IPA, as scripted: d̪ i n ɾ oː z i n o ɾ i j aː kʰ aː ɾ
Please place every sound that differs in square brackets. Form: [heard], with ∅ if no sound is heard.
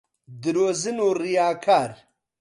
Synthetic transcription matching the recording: d̪ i [∅] ɾ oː z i n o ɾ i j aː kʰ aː ɾ

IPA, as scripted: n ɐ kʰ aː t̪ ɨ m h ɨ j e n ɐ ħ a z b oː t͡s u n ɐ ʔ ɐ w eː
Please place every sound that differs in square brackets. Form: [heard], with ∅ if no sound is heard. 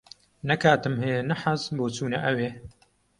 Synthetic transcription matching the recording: n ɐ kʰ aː t̪ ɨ m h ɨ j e n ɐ ħ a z b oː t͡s [uː] n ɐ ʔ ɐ w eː

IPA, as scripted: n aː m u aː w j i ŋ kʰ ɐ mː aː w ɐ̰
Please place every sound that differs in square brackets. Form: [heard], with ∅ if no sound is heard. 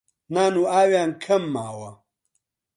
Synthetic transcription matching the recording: n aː [n] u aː w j [a] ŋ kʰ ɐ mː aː w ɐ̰

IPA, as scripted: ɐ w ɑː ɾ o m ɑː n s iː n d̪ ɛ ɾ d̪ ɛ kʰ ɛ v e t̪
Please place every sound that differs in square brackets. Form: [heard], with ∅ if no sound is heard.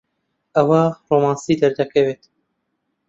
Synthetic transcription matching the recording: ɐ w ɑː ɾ o m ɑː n s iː [∅] d̪ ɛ ɾ d̪ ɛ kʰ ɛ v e t̪

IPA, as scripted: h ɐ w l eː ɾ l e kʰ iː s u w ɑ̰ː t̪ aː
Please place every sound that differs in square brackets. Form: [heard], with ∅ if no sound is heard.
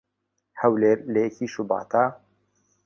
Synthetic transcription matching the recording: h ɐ w l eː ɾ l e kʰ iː [ʃ] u [b] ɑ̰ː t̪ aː

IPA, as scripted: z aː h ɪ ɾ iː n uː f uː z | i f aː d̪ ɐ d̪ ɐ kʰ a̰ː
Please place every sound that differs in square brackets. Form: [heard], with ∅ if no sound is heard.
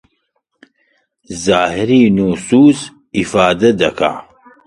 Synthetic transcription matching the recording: z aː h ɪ ɾ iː n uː [s] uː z | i f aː d̪ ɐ d̪ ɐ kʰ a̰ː

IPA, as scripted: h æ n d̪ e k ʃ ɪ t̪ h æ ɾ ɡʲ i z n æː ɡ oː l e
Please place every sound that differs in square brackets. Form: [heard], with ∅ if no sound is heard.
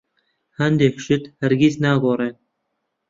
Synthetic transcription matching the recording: h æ n d̪ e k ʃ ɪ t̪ h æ ɾ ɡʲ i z n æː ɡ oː [ɾ] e

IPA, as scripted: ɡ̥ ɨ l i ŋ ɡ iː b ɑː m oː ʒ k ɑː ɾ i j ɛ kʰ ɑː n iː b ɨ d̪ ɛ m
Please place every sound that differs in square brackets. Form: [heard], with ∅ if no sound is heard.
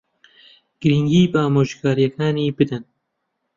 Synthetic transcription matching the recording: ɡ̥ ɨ [ɾ] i ŋ ɡ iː b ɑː m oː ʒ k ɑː ɾ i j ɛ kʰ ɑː n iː b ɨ d̪ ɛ [n]

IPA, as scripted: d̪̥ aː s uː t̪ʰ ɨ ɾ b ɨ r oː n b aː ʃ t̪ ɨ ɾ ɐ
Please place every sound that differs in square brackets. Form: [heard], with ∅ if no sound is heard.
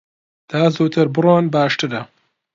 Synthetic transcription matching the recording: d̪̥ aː [z] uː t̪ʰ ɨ ɾ b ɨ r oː n b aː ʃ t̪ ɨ ɾ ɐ

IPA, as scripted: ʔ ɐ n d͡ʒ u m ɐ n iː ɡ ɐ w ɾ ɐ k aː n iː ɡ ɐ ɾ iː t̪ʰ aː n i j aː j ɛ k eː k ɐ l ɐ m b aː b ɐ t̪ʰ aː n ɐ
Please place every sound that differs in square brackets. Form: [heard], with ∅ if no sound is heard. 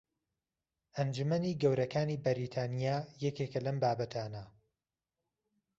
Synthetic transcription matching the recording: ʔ ɐ n d͡ʒ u m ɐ n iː ɡ ɐ w ɾ ɐ k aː n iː [b] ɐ ɾ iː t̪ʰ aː n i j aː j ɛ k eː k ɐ l ɐ m b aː b ɐ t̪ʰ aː n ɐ

